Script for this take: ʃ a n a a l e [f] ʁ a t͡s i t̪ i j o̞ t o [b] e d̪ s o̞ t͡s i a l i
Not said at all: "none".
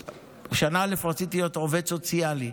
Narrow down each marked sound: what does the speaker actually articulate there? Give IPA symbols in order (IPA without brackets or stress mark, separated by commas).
f, v